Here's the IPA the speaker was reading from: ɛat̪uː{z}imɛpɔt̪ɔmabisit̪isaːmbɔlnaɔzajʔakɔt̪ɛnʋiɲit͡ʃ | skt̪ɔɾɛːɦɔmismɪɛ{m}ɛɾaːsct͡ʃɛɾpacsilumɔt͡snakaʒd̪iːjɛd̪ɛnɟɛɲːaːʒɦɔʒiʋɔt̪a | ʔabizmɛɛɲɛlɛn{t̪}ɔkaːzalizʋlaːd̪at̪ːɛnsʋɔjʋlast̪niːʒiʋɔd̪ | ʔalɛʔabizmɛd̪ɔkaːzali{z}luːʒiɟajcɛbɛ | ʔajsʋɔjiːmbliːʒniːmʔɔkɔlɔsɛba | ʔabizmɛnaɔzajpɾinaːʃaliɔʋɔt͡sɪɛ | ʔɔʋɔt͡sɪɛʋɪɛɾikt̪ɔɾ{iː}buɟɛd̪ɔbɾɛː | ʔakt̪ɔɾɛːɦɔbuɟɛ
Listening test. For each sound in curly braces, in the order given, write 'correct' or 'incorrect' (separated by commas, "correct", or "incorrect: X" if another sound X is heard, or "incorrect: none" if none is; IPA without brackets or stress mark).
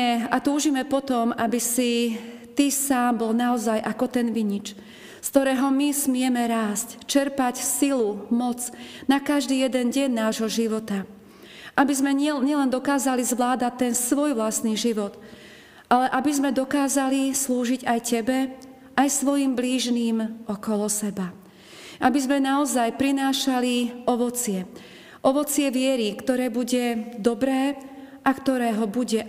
incorrect: ʒ, correct, incorrect: d̪, incorrect: s, incorrect: ɛː